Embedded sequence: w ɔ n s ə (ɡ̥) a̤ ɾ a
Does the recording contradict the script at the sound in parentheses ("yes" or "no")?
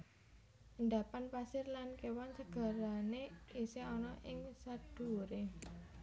no